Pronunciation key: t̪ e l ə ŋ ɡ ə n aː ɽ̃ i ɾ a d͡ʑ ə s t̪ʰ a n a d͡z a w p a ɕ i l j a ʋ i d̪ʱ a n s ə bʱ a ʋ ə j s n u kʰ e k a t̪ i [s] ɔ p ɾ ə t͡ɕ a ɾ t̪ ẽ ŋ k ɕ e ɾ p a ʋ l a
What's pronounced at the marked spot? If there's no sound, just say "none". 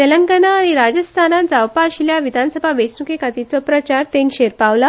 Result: t͡s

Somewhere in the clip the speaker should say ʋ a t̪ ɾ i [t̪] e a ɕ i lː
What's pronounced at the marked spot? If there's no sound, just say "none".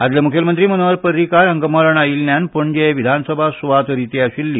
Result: t̪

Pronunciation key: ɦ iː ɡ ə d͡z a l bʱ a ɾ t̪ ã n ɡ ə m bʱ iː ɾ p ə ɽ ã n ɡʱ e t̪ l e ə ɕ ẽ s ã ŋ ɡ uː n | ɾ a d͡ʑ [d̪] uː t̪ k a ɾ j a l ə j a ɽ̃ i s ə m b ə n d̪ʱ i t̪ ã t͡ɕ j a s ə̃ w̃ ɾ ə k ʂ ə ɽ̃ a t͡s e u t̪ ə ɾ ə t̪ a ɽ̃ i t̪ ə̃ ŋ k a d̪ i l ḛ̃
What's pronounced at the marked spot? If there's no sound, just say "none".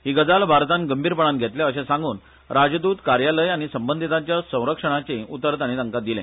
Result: d̪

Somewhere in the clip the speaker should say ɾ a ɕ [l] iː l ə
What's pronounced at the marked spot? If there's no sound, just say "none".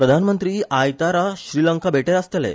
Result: ɾ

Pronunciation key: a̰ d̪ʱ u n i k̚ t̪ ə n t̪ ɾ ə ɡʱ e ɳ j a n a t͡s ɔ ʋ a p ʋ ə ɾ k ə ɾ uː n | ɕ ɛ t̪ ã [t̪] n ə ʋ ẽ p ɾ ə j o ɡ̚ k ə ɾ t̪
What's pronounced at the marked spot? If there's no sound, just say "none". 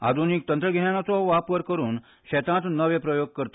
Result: t̪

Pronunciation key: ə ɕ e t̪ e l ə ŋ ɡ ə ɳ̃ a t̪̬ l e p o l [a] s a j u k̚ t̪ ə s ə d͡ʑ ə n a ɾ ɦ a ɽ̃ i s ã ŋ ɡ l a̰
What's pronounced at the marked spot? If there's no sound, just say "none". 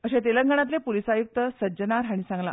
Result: i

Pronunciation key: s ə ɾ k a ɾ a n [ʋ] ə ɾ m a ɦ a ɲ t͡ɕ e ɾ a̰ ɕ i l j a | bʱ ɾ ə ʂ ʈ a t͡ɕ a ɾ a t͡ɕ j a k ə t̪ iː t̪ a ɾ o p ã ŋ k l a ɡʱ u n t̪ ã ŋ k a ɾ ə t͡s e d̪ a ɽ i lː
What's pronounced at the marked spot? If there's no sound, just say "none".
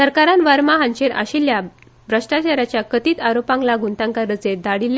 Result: ʋ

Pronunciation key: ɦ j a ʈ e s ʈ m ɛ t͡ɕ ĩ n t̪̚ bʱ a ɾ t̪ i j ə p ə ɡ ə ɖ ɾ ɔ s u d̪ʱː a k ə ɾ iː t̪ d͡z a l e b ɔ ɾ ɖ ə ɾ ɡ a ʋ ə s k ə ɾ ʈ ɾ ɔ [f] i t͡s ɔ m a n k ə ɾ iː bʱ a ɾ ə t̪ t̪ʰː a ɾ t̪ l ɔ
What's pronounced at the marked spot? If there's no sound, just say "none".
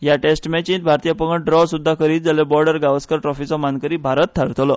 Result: f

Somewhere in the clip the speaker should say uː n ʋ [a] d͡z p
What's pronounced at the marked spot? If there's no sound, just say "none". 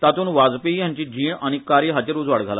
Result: a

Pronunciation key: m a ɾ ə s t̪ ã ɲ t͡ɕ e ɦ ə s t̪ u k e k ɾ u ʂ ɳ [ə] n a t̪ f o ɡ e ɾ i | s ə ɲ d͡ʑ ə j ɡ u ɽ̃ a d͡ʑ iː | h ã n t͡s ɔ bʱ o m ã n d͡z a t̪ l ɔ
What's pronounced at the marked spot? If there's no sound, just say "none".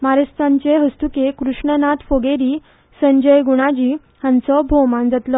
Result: ə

